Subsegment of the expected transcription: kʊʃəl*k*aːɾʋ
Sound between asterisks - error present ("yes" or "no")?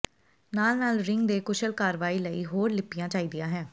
no